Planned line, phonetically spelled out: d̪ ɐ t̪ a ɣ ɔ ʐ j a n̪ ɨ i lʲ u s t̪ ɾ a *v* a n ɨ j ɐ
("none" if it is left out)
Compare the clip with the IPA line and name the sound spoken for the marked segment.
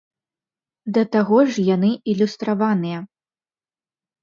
v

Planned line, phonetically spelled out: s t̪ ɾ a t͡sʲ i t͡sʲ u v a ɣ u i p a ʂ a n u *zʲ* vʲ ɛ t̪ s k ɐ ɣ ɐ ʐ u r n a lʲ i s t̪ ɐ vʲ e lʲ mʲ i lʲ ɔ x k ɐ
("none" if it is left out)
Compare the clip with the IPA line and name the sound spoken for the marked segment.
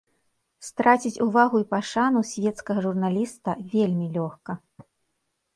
sʲ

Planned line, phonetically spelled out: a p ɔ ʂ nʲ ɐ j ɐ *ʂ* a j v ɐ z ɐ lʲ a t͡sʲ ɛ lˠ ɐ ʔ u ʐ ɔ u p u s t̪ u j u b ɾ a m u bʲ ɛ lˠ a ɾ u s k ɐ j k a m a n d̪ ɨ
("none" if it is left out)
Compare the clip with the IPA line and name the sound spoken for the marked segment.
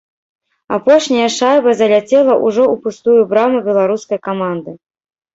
ʂ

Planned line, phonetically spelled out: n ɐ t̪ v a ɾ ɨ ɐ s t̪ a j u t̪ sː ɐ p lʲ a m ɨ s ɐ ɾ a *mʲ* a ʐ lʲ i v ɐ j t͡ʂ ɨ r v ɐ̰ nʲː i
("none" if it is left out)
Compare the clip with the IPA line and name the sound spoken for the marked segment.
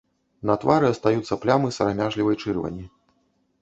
mʲ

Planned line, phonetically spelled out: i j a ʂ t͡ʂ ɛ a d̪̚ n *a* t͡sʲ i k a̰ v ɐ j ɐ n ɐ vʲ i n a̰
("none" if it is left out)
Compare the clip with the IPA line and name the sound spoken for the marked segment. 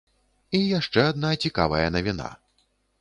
a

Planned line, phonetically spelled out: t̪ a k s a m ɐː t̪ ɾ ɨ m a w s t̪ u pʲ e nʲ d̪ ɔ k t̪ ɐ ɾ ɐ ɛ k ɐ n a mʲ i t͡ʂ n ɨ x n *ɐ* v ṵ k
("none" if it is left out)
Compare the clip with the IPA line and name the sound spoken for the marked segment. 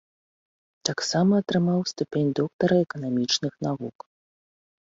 a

